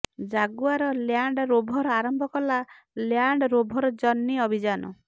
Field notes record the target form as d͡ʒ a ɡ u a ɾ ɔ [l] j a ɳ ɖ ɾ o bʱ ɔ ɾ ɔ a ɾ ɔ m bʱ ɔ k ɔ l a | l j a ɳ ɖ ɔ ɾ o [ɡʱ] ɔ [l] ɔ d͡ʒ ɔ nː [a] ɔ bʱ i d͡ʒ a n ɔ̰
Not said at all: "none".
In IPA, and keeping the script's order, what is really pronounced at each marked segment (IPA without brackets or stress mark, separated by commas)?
l, bʱ, ɾ, i